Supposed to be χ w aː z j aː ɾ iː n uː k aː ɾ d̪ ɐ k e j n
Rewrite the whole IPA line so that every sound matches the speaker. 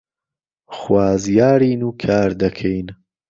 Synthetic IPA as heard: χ w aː z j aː ɾ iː n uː kʰ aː ɾ d̪ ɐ kʰ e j n